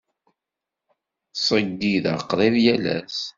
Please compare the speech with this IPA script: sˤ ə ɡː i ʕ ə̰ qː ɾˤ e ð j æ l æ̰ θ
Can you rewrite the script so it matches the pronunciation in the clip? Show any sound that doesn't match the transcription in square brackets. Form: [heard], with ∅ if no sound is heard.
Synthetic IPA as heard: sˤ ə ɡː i [ð] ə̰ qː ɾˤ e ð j æ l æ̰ [s]